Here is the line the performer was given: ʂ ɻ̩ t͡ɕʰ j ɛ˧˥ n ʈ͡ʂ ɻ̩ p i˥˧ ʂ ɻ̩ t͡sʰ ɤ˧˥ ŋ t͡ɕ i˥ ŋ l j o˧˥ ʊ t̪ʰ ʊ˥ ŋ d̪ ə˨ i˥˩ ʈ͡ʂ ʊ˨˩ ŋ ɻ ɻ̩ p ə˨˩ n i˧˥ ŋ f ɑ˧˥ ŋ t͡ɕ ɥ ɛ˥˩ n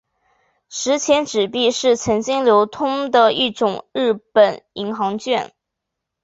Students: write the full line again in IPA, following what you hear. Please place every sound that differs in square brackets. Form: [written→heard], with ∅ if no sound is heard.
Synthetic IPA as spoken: ʂ ɻ̩ t͡ɕʰ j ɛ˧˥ n ʈ͡ʂ ɻ̩ p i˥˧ ʂ ɻ̩ t͡sʰ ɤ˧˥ ŋ t͡ɕ i˥ ŋ l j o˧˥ ʊ t̪ʰ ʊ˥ ŋ d̪ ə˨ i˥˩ ʈ͡ʂ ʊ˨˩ ŋ ɻ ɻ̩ p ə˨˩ n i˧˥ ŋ [f→x] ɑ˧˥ ŋ t͡ɕ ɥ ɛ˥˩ n